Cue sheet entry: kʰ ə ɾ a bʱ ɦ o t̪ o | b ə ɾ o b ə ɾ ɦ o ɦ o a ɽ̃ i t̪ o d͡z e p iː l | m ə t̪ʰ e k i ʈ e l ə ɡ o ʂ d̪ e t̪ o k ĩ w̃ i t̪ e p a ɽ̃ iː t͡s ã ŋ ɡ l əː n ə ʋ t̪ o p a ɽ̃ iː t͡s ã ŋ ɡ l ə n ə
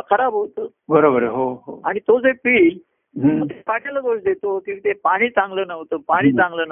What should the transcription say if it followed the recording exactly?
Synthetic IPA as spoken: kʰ ə ɾ a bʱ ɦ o t̪ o | b ə ɾ o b ə ɾ ɦ o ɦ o a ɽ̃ i t̪ o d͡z e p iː l | m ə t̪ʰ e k a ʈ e l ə ɡ o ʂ d̪ e t̪ o k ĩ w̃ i t̪ e p a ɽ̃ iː t͡s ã ŋ ɡ l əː n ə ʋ t̪ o p a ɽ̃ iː t͡s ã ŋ ɡ l ə n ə